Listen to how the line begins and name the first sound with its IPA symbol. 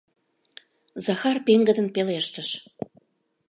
z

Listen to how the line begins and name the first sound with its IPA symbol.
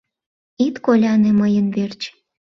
i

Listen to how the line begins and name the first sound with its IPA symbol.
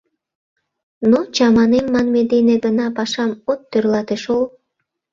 n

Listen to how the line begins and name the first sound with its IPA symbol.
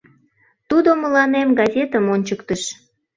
t̪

